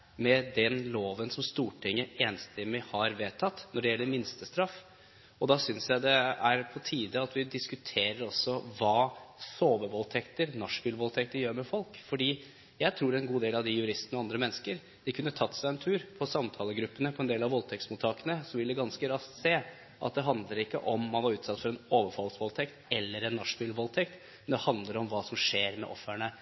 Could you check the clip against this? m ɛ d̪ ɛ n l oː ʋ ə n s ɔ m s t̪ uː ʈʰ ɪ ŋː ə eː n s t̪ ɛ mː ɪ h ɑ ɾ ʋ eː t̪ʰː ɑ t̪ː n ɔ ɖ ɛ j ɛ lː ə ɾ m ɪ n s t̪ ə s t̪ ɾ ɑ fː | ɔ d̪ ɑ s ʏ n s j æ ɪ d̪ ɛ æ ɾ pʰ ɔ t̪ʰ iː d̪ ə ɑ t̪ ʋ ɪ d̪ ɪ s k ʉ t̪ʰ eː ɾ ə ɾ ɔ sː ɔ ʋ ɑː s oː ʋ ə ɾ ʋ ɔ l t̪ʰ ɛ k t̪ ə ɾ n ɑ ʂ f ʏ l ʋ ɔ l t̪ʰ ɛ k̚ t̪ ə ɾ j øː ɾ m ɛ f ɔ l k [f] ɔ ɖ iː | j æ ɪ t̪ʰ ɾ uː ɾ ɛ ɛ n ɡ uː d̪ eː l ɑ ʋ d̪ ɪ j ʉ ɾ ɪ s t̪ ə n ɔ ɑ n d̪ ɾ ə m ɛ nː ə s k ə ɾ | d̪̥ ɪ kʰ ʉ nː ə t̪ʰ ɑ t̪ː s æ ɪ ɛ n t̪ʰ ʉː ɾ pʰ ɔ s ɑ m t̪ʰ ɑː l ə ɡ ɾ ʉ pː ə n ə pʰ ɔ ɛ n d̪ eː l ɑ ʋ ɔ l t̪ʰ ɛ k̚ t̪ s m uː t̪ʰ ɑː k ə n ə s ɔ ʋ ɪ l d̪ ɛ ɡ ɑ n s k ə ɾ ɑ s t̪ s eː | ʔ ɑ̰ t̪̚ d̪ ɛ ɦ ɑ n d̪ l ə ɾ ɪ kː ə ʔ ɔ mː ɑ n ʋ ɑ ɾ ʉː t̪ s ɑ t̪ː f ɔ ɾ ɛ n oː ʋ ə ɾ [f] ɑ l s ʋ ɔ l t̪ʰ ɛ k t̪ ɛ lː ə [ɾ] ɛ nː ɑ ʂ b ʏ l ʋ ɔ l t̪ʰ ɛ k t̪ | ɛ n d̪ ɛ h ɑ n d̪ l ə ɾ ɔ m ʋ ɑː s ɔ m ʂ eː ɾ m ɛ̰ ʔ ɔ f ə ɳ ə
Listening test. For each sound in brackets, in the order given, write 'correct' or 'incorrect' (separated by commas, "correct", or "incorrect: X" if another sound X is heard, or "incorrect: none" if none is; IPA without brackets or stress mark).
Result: correct, correct, correct